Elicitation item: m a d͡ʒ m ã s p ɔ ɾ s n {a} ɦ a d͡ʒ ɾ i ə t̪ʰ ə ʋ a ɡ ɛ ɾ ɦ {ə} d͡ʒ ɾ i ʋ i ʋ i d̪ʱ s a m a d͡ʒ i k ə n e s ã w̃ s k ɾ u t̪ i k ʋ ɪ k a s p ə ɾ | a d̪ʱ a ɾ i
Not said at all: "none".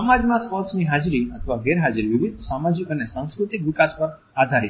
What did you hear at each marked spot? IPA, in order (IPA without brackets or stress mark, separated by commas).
i, a